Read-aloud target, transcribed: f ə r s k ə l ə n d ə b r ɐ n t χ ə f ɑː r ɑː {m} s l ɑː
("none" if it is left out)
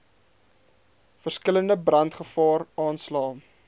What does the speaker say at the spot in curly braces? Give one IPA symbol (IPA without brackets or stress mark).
n